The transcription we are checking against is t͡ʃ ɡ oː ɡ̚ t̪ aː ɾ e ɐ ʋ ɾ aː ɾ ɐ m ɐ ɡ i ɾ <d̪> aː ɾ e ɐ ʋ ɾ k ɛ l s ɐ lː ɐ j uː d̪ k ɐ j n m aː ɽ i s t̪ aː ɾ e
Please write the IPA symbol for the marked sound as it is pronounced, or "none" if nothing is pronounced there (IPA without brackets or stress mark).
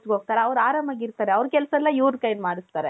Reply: t̪